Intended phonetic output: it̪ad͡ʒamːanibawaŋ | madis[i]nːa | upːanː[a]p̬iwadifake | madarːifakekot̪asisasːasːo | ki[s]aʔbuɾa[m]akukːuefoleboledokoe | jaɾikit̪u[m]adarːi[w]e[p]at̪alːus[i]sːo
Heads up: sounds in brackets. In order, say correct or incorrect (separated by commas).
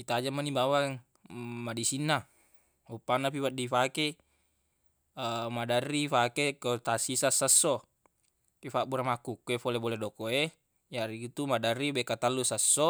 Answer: correct, correct, incorrect, correct, correct, incorrect, incorrect, incorrect